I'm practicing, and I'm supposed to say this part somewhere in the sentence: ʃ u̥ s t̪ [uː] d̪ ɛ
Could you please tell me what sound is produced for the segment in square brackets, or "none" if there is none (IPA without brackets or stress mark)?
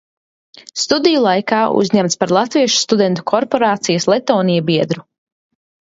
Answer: u